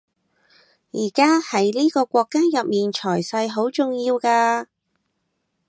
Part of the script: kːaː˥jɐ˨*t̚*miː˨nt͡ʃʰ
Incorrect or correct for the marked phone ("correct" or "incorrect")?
incorrect